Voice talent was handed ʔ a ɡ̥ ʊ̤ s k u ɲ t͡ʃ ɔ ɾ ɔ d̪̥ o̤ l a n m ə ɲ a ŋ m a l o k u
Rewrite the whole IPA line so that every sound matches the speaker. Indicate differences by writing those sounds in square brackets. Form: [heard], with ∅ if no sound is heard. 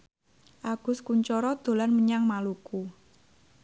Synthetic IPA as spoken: ʔ a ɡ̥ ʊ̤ s k u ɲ t͡ʃ ɔ ɾ ɔ d̪̥ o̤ l a n m ə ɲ a ŋ m a l [u] k u